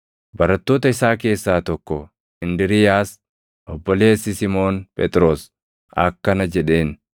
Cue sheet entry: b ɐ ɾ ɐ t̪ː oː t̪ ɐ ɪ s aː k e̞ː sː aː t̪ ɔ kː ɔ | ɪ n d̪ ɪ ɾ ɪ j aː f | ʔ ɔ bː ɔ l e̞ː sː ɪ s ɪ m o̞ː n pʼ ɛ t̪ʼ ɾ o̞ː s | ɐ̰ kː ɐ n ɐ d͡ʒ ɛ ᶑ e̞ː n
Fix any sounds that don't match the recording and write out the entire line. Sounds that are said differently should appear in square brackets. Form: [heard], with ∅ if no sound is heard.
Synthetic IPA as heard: b ɐ ɾ ɐ t̪ː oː t̪ ɐ ɪ s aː k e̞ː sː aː t̪ ɔ kː ɔ | ɪ n d̪ ɪ ɾ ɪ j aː [s] | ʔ ɔ bː ɔ l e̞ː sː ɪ s ɪ m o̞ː n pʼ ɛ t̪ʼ ɾ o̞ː s | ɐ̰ kː ɐ n ɐ d͡ʒ ɛ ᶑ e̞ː n